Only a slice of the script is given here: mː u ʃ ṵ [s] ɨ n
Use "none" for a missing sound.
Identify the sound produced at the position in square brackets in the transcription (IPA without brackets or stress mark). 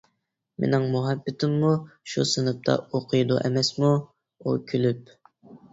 s